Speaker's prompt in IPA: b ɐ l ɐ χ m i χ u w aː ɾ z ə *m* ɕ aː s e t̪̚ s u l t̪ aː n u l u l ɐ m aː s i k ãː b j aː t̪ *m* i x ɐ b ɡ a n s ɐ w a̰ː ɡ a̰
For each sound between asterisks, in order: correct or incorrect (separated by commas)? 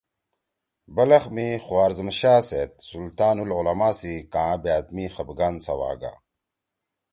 correct, correct